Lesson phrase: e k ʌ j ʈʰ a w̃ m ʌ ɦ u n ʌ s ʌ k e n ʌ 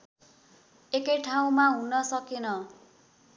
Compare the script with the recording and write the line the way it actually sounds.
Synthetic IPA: e k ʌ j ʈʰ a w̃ m a ɦ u n ʌ s ʌ k e n ʌ